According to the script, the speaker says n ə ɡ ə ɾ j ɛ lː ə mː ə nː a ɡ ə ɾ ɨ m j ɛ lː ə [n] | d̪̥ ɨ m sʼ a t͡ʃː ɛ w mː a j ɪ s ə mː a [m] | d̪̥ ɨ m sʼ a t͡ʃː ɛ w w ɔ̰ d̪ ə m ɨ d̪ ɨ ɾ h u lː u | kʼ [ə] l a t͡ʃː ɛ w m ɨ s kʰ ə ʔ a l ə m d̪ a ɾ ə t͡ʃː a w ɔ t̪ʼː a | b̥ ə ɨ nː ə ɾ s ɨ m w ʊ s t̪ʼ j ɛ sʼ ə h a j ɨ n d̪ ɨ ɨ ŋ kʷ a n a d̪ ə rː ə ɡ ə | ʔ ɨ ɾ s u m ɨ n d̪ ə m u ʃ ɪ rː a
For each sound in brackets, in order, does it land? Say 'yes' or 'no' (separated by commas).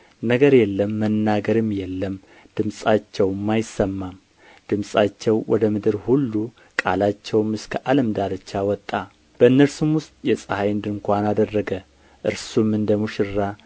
no, yes, no